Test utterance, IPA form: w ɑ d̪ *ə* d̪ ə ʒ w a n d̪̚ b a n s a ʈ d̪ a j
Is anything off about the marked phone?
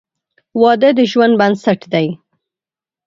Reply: no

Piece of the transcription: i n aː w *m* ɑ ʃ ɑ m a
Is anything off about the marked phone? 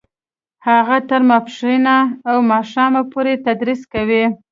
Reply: no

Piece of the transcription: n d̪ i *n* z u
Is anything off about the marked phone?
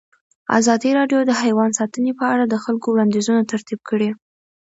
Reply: yes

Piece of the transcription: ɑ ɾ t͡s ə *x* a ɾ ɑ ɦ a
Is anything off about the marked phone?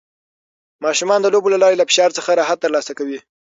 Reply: no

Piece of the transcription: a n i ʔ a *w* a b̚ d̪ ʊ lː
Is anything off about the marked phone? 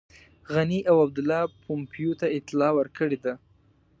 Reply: no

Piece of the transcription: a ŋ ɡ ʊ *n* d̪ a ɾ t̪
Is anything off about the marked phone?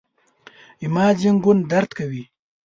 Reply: no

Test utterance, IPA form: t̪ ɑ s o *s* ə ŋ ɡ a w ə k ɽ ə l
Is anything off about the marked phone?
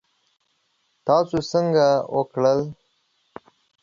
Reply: no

